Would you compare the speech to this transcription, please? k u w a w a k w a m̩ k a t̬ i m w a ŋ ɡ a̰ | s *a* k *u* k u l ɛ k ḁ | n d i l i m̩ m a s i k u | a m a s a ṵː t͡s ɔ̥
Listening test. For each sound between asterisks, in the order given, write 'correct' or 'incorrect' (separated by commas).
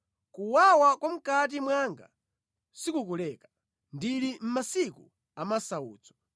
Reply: incorrect, correct